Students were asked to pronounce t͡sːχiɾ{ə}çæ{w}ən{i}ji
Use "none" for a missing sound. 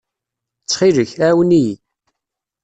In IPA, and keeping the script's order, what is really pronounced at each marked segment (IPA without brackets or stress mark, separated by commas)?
ə, w, i